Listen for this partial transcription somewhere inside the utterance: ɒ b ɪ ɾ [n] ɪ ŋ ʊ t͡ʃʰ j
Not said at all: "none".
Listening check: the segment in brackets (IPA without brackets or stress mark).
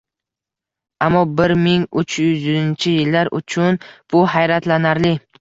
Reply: m